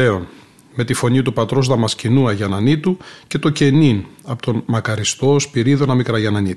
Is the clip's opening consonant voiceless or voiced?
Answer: voiced